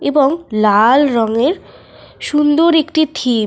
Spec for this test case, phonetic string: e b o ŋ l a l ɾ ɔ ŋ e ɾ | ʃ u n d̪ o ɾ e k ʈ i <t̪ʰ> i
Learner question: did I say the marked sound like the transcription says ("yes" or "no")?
yes